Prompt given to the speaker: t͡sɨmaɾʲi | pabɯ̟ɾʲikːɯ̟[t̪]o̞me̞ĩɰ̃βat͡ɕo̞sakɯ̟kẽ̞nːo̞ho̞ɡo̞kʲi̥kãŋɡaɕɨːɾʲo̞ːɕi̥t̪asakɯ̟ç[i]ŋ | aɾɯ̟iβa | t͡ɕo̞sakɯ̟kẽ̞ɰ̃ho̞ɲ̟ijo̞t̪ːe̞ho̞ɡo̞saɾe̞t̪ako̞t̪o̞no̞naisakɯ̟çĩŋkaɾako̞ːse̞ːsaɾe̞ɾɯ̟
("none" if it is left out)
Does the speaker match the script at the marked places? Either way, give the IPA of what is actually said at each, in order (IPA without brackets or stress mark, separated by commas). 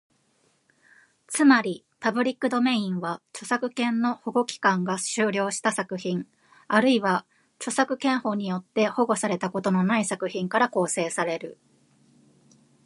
d̪, ĩ